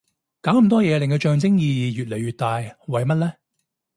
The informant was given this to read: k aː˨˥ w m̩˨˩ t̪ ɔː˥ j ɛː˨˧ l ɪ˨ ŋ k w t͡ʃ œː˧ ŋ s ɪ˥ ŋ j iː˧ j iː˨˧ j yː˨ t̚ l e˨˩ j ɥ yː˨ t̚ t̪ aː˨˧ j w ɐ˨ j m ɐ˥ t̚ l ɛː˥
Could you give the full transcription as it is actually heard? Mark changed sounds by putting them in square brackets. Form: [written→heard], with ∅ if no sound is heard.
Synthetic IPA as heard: k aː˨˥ w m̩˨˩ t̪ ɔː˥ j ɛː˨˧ l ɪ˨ ŋ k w t͡ʃ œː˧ ŋ [s→t͡s] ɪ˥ ŋ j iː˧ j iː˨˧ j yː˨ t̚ l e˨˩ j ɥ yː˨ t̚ t̪ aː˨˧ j w ɐ˨ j m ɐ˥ t̚ l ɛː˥